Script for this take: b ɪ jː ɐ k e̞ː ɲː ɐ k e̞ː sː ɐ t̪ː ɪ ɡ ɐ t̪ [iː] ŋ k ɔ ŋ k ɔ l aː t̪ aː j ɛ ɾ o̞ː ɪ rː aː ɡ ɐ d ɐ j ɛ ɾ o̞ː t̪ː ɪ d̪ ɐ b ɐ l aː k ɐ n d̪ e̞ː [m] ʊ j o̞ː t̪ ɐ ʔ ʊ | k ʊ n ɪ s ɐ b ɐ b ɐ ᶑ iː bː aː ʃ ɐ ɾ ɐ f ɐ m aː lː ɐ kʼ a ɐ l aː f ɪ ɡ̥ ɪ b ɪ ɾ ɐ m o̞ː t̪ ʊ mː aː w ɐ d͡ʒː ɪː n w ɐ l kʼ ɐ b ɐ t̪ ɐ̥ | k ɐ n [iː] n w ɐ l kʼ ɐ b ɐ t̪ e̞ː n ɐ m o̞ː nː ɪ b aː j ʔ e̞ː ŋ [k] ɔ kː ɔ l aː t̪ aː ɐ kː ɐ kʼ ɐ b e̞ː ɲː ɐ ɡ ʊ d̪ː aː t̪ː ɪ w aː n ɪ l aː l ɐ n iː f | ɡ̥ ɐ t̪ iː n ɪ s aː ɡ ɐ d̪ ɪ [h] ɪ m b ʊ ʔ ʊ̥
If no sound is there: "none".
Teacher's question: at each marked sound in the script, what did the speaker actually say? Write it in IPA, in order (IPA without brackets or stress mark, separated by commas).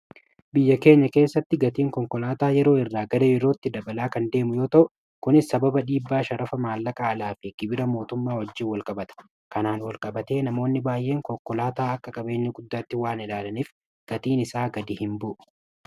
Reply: iː, m, aː, k, h